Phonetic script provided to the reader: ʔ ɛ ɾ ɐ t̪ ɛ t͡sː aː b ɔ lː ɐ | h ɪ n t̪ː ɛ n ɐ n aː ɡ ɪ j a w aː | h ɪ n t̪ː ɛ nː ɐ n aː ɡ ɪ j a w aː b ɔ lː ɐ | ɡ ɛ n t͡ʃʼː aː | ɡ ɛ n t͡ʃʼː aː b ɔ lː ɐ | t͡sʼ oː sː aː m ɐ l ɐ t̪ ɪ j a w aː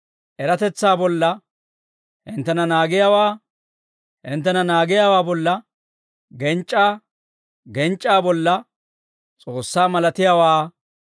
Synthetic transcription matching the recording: ʔ ɛ ɾ ɐ t̪ ɛ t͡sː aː b ɔ lː ɐ | h ɪ n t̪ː ɛ n ɐ n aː ɡ ɪ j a w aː | h ɪ n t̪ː ɛ n ɐ n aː ɡ ɪ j a w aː b ɔ lː ɐ | ɡ ɛ n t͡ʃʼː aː | ɡ ɛ n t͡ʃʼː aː b ɔ lː ɐ | t͡sʼ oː sː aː m ɐ l ɐ t̪ ɪ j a w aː